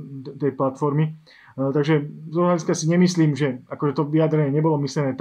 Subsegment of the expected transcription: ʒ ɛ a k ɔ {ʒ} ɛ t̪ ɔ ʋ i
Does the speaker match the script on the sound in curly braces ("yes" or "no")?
yes